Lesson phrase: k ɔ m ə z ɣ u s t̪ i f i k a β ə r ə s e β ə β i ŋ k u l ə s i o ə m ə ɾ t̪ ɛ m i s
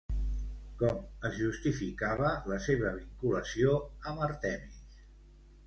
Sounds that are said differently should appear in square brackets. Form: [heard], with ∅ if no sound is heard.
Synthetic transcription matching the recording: k ɔ m ə z [ʒ] u s t̪ i f i k a β ə [l] ə s e β ə β i ŋ k u l ə s i o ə m ə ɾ t̪ ɛ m i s